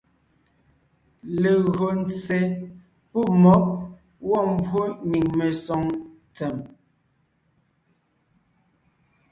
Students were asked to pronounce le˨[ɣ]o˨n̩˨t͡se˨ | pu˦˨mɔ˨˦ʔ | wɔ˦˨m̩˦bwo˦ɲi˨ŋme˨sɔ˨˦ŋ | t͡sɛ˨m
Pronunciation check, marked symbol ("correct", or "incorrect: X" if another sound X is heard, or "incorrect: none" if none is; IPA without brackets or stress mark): correct